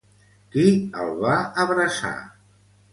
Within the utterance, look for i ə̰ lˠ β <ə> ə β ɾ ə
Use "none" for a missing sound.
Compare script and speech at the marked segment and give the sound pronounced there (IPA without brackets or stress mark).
a